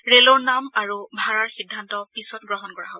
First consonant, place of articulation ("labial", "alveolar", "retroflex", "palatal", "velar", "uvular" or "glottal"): alveolar